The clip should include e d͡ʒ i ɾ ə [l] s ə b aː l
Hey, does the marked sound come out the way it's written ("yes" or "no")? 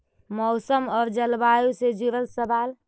yes